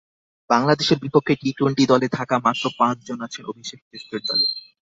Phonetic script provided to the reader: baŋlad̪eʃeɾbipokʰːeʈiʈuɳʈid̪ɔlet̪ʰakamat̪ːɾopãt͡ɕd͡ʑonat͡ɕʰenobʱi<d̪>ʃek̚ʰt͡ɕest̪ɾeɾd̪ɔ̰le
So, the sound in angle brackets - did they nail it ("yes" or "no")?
no